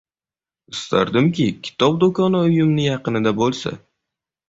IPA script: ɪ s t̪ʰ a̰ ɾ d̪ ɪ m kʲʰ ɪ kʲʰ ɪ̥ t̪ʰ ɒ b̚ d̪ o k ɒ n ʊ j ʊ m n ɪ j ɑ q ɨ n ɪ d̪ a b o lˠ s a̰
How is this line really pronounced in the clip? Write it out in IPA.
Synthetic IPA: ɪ s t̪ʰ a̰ ɾ d̪ ɪ m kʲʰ ɪ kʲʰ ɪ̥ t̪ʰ ɒ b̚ d̪ o k ɒ n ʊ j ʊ m n ɪ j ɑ q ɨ n ɪ d̪ a b o lˠ s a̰